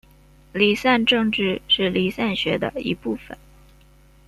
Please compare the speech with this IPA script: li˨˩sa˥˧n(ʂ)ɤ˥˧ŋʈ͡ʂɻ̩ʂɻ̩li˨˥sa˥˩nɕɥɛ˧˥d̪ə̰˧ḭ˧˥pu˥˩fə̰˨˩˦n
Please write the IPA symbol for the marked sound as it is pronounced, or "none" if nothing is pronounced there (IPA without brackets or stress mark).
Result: ʈ͡ʂ